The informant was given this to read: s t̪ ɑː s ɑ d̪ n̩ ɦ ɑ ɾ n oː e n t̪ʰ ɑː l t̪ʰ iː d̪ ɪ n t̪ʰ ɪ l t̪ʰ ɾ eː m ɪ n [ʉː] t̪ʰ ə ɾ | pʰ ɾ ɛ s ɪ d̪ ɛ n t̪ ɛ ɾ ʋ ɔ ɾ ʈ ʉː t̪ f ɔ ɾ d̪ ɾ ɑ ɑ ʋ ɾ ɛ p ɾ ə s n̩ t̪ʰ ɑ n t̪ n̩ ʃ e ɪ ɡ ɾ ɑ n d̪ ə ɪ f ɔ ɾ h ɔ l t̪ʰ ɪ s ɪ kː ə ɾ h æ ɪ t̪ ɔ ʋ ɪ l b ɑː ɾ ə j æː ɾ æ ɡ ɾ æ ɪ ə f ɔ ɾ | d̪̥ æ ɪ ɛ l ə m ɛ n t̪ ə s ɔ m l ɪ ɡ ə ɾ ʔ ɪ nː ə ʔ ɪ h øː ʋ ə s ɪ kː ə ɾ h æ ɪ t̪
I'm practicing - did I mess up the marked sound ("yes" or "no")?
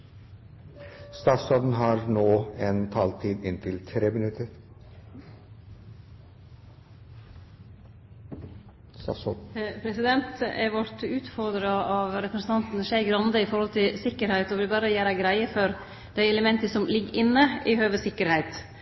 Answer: yes